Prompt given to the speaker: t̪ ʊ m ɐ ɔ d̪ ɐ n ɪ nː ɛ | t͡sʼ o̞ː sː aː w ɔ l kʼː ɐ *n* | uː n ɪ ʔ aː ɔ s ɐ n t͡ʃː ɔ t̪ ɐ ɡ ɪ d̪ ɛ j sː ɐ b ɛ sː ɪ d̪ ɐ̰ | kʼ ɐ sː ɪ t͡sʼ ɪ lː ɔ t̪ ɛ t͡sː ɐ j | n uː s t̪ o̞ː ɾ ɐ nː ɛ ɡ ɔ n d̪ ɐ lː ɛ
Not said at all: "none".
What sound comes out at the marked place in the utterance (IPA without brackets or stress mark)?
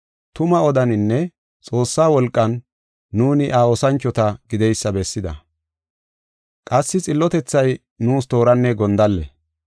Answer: nː